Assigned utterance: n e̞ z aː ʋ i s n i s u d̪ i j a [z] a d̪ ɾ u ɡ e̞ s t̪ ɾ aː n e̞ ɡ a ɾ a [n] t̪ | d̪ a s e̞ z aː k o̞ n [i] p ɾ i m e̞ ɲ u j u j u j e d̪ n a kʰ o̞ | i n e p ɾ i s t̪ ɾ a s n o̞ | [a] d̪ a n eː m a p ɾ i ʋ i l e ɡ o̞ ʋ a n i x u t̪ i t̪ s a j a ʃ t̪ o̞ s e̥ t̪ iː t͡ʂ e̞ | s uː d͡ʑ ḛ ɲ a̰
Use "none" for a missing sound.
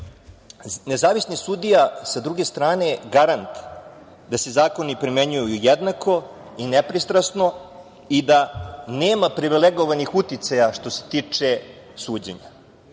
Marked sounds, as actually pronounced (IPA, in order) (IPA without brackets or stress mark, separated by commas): s, n, i, i